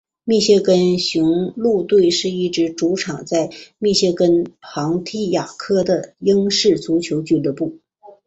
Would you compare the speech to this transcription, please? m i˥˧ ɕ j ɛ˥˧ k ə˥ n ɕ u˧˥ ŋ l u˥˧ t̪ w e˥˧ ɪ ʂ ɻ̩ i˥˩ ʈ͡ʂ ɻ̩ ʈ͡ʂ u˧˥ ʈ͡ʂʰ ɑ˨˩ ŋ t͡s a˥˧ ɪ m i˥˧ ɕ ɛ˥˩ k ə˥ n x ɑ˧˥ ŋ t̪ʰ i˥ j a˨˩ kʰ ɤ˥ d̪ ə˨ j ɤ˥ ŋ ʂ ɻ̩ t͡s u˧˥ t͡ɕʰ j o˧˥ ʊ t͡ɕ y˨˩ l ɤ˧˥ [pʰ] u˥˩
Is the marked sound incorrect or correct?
incorrect